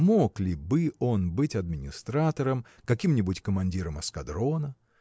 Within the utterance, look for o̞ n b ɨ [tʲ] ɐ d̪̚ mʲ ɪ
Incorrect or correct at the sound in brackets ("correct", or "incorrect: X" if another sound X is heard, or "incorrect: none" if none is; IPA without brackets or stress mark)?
correct